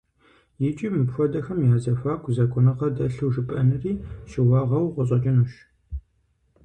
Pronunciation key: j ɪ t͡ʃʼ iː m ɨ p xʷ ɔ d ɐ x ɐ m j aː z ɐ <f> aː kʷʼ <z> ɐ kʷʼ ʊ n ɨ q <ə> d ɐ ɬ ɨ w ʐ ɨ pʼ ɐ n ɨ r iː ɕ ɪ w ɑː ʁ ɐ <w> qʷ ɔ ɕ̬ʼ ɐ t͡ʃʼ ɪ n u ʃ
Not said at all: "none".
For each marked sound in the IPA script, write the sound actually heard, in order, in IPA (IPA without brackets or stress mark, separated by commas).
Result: f, z, ɐ, w